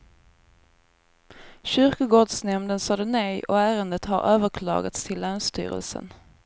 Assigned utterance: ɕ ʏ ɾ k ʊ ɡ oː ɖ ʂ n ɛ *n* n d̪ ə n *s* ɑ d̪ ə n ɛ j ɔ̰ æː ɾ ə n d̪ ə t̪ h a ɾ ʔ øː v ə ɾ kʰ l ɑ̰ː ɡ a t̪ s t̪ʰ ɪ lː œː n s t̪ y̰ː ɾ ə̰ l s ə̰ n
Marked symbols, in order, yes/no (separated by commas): no, yes